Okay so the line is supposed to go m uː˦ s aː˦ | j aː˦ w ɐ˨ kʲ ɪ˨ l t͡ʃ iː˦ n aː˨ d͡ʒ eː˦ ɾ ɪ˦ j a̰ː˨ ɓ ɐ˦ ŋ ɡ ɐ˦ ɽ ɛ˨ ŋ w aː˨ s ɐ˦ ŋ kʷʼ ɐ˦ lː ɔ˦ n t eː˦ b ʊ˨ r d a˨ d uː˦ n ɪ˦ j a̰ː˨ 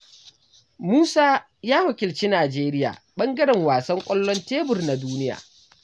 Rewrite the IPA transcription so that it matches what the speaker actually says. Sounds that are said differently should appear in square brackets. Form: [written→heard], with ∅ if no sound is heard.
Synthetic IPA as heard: m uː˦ s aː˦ | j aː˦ w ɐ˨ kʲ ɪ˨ l t͡ʃ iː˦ n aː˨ d͡ʒ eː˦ ɾ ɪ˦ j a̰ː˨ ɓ ɐ˦ ŋ ɡ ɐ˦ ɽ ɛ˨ ŋ w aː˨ s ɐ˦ ŋ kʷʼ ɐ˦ lː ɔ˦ n t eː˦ b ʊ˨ r [d→n] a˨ d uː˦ n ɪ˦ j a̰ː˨